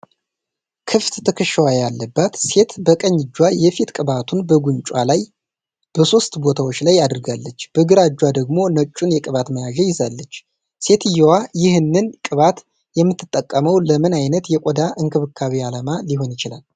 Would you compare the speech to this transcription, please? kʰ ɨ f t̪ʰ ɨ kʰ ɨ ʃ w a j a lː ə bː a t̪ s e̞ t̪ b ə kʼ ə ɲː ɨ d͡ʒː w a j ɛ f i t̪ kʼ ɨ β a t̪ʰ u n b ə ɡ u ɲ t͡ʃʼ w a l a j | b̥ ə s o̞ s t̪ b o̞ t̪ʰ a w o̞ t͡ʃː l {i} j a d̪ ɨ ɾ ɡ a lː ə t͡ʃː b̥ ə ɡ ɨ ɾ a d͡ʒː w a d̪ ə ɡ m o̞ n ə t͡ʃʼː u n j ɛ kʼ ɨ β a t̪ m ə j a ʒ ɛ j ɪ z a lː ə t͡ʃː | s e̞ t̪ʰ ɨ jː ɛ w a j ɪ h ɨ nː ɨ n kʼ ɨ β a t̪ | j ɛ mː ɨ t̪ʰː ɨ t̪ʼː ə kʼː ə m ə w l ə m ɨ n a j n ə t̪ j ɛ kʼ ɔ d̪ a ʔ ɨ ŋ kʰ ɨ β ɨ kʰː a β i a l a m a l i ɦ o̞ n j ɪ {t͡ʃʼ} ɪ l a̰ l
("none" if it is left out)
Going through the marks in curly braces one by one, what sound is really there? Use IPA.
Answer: a, t͡ʃ

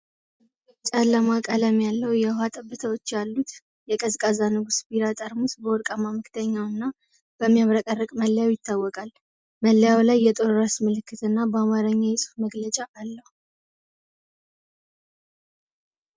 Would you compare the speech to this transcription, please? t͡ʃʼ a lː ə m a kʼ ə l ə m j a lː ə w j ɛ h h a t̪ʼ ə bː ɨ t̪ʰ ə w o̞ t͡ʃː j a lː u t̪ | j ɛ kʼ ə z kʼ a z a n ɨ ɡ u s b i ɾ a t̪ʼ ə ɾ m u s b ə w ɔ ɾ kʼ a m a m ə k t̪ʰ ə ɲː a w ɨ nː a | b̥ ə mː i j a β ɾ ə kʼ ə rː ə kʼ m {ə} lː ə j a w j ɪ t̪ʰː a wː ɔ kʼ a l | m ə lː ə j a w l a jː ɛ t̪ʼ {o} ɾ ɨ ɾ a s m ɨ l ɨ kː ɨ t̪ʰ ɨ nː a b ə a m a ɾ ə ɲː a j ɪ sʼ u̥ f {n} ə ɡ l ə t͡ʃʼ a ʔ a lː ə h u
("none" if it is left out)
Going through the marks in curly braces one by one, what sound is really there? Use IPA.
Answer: ə, o, m

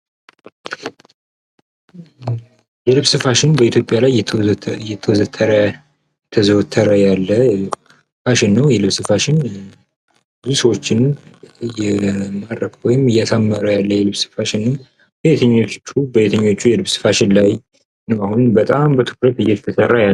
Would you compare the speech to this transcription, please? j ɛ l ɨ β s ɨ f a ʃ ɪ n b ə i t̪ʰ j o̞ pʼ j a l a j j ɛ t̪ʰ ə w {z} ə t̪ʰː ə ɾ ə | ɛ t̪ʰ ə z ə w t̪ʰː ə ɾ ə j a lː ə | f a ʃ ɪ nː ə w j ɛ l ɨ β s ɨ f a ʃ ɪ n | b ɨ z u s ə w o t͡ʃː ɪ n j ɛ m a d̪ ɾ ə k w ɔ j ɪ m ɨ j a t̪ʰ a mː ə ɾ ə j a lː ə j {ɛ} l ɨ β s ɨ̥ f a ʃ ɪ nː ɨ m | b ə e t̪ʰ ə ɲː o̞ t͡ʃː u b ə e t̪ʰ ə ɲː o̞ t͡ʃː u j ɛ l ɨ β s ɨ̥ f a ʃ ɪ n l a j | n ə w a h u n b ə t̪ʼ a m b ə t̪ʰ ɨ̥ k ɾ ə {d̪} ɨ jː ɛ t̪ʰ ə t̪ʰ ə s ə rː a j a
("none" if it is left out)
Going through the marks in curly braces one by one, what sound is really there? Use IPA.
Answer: z, ɛ, t̪

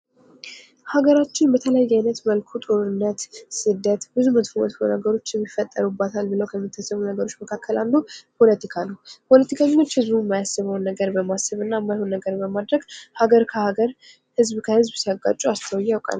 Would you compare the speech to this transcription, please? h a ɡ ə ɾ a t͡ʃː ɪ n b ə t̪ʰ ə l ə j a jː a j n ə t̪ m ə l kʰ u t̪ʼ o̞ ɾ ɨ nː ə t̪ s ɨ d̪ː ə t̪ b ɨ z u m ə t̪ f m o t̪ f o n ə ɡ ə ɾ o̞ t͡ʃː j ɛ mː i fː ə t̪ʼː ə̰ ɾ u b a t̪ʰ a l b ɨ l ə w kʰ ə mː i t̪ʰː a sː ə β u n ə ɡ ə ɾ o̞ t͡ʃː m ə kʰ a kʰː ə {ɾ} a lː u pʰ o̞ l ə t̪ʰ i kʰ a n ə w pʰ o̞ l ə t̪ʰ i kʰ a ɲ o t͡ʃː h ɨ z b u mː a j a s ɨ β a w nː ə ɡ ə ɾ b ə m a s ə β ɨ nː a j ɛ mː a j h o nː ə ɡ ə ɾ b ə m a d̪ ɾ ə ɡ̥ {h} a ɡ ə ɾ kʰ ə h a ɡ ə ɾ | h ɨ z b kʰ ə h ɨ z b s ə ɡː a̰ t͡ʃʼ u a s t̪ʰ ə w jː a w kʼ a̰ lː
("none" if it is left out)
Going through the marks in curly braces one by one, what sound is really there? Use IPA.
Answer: l, h

